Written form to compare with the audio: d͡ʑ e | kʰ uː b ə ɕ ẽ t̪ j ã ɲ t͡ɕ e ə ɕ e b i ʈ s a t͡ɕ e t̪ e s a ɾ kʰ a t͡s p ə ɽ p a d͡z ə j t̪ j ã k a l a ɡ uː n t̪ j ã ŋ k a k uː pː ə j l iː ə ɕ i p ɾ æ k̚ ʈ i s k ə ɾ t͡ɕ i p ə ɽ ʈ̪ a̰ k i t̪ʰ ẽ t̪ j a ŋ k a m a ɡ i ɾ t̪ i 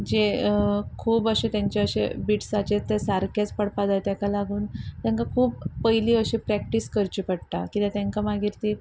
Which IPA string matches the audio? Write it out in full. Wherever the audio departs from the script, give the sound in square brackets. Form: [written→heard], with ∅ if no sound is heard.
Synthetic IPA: d͡ʑ e | kʰ uː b ə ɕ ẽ t̪ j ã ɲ t͡ɕ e ə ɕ e b i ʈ s a t͡ɕ e t̪ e s a ɾ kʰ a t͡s p ə ɽ p a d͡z [ə→a] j t̪ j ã k a l a ɡ uː n t̪ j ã ŋ k a [k→kʰ] uː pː ə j l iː ə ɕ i p ɾ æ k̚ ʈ i s k ə ɾ t͡ɕ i p ə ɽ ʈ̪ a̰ k i [t̪ʰ→t̪] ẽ t̪ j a ŋ k a m a ɡ i ɾ t̪ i